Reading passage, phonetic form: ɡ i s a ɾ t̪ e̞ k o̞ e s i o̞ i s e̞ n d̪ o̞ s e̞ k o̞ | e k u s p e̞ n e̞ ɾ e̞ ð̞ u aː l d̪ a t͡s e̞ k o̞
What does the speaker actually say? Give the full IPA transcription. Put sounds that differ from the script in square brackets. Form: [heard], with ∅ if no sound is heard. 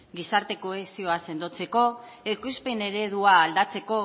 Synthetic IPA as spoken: ɡ i s a ɾ t̪ e̞ k o̞ e s i o̞ [a] s e̞ n d̪ o̞ [t͡s] e̞ k o̞ | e k u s p e̞ n e̞ ɾ e̞ ð̞ u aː l d̪ a t͡s e̞ k o̞